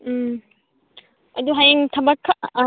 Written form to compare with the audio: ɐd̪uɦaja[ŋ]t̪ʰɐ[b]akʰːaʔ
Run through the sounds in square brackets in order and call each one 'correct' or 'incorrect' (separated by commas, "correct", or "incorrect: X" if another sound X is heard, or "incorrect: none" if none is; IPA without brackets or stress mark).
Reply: correct, correct